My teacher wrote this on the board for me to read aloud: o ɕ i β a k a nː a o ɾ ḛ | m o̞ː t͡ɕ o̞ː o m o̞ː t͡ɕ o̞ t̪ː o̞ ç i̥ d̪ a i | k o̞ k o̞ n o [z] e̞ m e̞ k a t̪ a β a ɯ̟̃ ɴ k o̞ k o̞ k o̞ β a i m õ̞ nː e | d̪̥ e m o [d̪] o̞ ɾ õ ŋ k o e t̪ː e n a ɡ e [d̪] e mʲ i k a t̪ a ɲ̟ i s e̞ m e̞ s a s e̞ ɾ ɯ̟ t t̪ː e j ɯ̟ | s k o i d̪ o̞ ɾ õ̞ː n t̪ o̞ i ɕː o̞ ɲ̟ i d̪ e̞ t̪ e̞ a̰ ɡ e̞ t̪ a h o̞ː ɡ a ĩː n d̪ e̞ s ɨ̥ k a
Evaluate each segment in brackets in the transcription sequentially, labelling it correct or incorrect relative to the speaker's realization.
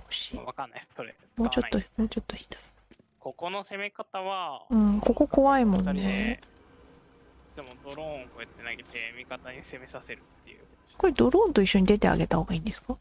incorrect: s, correct, incorrect: t̪

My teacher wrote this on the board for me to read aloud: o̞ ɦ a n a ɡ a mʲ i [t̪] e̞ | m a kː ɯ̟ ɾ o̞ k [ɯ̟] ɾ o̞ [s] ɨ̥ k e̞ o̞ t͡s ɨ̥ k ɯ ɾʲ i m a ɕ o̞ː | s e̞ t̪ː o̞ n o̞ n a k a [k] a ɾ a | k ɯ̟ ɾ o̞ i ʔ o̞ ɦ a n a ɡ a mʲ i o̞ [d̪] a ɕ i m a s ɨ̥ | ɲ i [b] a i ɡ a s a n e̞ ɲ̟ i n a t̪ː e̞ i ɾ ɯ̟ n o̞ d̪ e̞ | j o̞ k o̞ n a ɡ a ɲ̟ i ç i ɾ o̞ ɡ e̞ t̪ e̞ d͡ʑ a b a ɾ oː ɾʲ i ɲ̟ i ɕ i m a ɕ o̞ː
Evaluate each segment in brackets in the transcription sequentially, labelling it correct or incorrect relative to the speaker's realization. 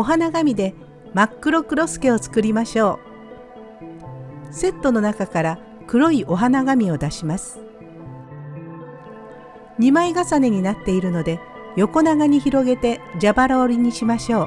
incorrect: d̪, correct, correct, correct, correct, incorrect: m

